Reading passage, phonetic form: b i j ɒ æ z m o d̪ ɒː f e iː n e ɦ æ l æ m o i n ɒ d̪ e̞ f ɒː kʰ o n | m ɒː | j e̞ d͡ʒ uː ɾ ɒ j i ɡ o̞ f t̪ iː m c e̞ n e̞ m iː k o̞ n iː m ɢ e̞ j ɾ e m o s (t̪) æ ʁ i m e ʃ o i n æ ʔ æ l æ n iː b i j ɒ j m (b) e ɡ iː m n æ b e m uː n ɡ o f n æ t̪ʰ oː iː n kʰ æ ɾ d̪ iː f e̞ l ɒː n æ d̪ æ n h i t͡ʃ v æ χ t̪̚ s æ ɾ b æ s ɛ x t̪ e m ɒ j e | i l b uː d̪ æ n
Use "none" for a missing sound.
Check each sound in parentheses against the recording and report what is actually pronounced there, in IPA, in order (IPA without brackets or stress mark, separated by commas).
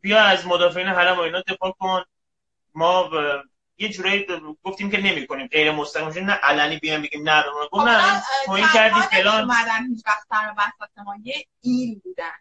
t̪, b